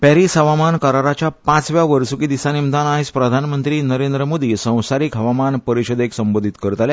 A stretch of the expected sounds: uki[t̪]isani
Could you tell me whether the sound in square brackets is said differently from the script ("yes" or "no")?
yes